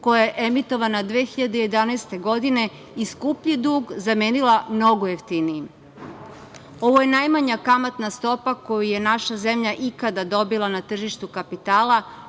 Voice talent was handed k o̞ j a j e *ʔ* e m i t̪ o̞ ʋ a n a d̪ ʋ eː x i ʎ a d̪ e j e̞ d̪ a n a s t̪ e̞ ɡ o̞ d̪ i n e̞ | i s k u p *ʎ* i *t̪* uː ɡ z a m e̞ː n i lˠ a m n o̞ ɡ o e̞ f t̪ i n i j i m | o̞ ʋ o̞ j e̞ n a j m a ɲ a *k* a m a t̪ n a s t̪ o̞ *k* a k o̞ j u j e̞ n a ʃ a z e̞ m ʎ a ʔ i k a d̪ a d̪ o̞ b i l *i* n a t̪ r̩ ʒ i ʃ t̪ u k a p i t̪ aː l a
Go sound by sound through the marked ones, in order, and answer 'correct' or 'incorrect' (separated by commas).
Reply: correct, correct, incorrect, correct, incorrect, incorrect